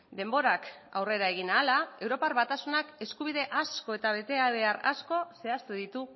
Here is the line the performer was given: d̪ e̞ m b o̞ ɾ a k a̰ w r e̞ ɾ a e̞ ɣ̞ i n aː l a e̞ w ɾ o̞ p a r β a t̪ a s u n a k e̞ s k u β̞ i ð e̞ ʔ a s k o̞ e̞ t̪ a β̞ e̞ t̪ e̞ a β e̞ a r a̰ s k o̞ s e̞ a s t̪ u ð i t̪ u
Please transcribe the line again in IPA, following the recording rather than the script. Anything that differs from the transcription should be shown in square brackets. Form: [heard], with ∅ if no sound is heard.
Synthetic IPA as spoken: d̪ e̞ m b o̞ ɾ a k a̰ w r e̞ ɾ a e̞ ɣ̞ i n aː l a e̞ w ɾ o̞ p a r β a t̪ a s u n a k e̞ s k u β̞ i ð e̞ ʔ a s k o̞ e̞ t̪ a β̞ e̞ t̪ e̞ a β e̞ a r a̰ s k o̞ s e̞ a s t̪ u ð i t̪ u